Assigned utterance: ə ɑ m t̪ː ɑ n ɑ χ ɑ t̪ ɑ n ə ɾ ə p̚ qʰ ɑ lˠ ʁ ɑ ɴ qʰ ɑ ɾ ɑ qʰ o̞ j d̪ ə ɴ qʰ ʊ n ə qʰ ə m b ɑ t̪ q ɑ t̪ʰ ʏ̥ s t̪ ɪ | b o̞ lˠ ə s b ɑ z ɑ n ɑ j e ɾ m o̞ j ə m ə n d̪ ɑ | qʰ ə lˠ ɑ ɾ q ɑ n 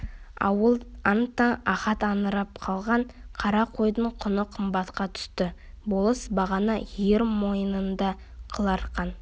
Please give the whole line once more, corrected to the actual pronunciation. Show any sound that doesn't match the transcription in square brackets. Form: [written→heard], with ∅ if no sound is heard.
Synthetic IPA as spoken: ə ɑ [m→n] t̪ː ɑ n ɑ χ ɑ t̪ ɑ n ə ɾ [ə→ɑ] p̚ qʰ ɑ lˠ ʁ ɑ ɴ qʰ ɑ ɾ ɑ qʰ o̞ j d̪ ə ɴ qʰ ʊ n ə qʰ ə m b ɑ t̪ q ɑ t̪ʰ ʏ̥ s t̪ ɪ | b o̞ lˠ ə s b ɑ [z→ʁ] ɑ n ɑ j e ɾ m o̞ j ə [m→n] ə n d̪ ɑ | qʰ ə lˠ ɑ ɾ q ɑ n